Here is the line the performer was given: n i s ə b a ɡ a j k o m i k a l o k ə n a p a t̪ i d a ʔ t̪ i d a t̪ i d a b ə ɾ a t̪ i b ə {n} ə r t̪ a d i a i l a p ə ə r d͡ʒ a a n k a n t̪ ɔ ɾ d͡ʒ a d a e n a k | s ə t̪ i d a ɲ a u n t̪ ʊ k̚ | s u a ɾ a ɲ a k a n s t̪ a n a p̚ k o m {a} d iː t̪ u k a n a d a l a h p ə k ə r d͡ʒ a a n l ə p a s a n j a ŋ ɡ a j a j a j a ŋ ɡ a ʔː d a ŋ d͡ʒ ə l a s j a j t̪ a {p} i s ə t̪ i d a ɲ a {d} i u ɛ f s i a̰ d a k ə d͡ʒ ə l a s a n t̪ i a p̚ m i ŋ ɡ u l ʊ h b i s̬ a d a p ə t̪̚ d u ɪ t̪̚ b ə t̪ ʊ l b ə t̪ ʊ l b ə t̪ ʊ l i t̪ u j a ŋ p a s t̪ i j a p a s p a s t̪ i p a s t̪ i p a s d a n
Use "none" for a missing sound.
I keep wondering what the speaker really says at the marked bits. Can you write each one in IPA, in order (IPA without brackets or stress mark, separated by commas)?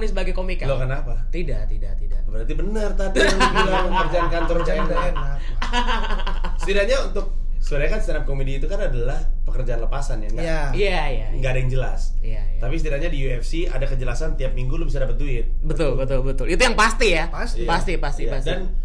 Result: n, e, p, d